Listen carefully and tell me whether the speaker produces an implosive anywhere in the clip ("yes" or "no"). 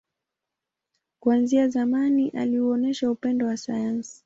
no